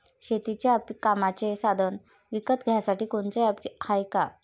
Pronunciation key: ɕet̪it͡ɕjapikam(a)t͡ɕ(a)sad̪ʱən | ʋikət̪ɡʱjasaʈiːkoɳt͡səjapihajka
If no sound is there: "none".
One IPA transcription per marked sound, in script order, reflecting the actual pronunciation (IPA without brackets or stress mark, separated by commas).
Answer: a, e